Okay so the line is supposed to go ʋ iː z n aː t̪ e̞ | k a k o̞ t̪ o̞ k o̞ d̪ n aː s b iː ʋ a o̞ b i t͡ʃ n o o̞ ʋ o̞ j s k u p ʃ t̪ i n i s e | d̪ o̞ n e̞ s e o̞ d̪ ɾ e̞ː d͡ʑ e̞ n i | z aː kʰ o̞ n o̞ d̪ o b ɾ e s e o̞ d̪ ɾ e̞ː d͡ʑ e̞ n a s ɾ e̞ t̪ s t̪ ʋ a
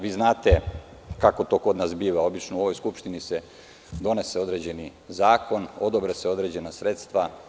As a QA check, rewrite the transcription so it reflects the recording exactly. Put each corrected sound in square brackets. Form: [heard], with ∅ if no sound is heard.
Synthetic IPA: ʋ iː z n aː t̪ e̞ | k a k o̞ t̪ o̞ k o̞ d̪ n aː s b iː ʋ a o̞ b i t͡ʃ n o o̞ ʋ o̞ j s k u p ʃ t̪ i n i s e | d̪ o̞ n e̞ s e o̞ d̪ ɾ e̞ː d͡ʑ e̞ n i | z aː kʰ o̞ n o̞ d̪ o b ɾ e s e o̞ d̪ ɾ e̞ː d͡ʑ e̞ n a s ɾ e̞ t̪ s t̪ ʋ a

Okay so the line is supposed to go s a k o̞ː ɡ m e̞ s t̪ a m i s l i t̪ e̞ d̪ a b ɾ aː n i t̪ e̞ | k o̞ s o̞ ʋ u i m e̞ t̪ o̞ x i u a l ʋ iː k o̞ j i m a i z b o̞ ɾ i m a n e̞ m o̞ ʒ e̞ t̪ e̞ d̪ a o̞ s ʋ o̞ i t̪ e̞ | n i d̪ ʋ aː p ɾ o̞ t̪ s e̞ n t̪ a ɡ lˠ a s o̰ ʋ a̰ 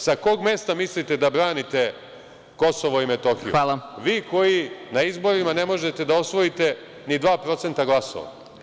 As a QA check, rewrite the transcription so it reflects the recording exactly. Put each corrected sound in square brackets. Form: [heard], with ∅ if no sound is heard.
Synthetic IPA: s a k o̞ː ɡ m e̞ s t̪ a m i s l i t̪ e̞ d̪ a b ɾ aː n i t̪ e̞ | k o̞ s o̞ ʋ [o] i m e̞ t̪ o̞ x i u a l ʋ iː k o̞ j i [n] a i z b o̞ ɾ i m a n e̞ m o̞ ʒ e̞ t̪ e̞ d̪ a o̞ s ʋ o̞ i t̪ e̞ | n i d̪ ʋ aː p ɾ o̞ t̪ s e̞ n t̪ a ɡ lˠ a s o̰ ʋ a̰

